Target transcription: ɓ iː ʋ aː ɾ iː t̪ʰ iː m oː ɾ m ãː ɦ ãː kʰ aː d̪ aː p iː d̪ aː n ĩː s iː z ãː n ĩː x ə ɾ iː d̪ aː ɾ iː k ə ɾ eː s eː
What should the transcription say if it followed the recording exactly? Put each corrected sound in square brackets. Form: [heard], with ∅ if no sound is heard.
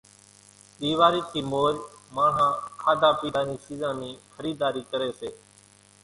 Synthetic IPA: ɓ iː ʋ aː ɾ iː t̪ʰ iː m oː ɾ m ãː ɦ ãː kʰ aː d̪ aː p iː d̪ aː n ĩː s iː z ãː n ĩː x ə ɾ iː d̪ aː ɾ iː k ə ɾ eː s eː